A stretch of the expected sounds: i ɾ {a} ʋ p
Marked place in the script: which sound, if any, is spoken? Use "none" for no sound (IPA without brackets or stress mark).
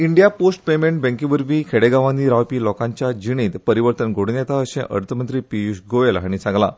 a